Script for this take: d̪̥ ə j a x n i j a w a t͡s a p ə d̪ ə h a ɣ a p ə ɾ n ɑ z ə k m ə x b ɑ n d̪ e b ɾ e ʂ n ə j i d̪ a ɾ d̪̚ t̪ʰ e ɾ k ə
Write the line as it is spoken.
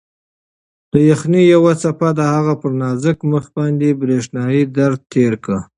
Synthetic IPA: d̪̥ ə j a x n i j a w a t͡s a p a d̪ ə h a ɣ a p ə ɾ n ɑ z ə k m ə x b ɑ n d̪ e b ɾ e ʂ n ɑ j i d̪ a ɾ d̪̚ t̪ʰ e ɾ k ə